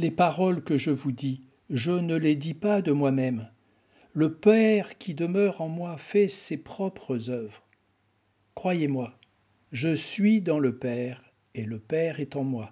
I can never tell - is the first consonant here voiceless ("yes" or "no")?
no